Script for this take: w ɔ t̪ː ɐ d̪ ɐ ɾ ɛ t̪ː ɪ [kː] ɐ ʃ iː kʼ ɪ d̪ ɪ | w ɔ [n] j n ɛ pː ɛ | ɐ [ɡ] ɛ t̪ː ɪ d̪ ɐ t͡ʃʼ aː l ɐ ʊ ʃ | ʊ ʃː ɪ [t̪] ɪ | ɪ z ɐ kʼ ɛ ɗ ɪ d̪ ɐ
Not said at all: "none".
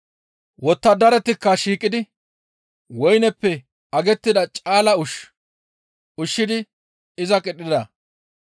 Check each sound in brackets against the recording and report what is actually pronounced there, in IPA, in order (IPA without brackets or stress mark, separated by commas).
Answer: kː, none, ɡ, d̪